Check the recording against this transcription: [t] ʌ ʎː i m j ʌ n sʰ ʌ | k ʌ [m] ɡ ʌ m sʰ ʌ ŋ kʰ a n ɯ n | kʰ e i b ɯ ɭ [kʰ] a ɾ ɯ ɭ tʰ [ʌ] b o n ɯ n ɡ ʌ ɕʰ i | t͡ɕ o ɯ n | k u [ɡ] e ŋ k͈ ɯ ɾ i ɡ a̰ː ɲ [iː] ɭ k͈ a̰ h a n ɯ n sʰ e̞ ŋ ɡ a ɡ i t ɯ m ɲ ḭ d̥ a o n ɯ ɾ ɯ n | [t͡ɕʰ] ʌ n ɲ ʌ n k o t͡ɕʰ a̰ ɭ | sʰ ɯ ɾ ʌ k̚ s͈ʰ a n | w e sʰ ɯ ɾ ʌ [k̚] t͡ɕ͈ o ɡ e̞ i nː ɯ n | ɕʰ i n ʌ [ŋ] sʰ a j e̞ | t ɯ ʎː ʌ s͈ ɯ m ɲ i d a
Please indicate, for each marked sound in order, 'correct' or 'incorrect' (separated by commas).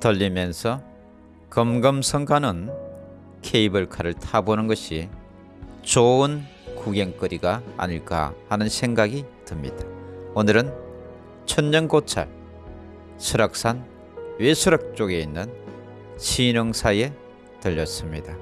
correct, correct, correct, incorrect, correct, incorrect, correct, correct, correct